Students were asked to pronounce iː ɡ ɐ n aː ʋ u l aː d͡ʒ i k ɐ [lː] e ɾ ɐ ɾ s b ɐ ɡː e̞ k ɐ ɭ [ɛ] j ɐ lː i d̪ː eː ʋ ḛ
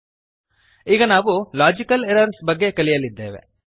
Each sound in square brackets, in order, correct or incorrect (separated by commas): incorrect, incorrect